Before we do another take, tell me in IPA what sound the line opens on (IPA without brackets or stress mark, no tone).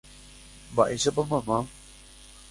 b